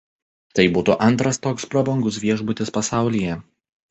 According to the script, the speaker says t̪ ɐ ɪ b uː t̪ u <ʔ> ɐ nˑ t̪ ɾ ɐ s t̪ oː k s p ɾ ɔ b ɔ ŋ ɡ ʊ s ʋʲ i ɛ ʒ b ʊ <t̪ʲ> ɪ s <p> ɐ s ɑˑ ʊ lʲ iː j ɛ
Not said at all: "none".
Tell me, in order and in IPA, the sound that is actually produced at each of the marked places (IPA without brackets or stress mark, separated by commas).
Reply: ʔ, t̪ʲ, p